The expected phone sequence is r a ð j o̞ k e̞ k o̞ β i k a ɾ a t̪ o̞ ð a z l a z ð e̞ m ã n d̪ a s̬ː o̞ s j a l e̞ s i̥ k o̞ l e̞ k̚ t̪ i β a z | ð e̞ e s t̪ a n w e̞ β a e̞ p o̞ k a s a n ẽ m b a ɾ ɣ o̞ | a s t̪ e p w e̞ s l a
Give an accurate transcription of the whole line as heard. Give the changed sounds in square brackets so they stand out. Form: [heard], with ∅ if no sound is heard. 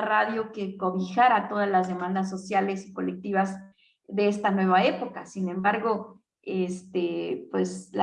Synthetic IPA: r a ð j o̞ k e̞ k o̞ β i [x] a ɾ a t̪ o̞ ð a z l a z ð e̞ m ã n d̪ a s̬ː o̞ s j a l e̞ s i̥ k o̞ l e̞ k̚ t̪ i β a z | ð e̞ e s t̪ a n w e̞ β a e̞ p o̞ k a s [i] n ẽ m b a ɾ ɣ o̞ | [e] s t̪ e p w e̞ s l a